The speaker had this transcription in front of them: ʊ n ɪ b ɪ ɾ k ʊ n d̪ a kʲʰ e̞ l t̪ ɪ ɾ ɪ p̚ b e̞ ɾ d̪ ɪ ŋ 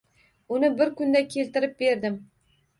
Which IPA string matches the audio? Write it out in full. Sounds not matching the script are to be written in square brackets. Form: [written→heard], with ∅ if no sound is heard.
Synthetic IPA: ʊ n ɪ b ɪ ɾ k ʊ n d̪ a kʲʰ e̞ l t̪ ɪ ɾ ɪ p̚ b e̞ ɾ d̪ ɪ [ŋ→m]